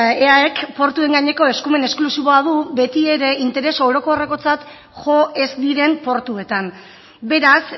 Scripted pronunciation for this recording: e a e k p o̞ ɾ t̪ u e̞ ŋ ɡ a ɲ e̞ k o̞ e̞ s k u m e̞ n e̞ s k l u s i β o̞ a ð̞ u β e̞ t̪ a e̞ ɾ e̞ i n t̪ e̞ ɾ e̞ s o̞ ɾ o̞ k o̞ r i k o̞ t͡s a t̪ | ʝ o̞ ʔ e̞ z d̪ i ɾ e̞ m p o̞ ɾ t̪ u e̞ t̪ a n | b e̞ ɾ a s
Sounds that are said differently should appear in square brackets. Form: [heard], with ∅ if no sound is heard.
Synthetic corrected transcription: e a e k p o̞ ɾ t̪ u e̞ ŋ ɡ a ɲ e̞ k o̞ e̞ s k u m e̞ n e̞ s k l u s i β o̞ a ð̞ u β e̞ t̪ [i] e̞ ɾ e̞ i n t̪ e̞ ɾ e̞ s o̞ ɾ o̞ k o̞ r [e] k o̞ t͡s a t̪ | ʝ o̞ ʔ e̞ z d̪ i ɾ e̞ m p o̞ ɾ t̪ u e̞ t̪ a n | b e̞ ɾ a s